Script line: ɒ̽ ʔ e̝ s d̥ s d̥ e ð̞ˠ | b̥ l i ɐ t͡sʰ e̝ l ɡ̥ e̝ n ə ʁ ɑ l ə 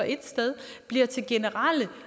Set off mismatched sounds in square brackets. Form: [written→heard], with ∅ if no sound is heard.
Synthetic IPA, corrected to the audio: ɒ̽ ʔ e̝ [s→∅] d̥ s d̥ e ð̞ˠ | b̥ l i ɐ t͡sʰ e̝ l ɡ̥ e̝ n ə ʁ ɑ l ə